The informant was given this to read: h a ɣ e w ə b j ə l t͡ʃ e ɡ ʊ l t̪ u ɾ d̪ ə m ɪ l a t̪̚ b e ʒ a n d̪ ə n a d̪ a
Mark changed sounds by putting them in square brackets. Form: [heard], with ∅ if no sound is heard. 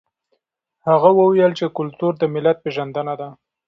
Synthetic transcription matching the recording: h a ɣ [a] w ə [w] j ə l t͡ʃ e [k] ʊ l t̪ u ɾ d̪ ə m ɪ l a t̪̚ [p] e ʒ a n d̪ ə n a d̪ a